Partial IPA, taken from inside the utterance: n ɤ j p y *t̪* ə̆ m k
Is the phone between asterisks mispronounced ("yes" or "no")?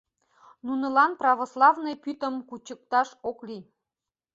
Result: no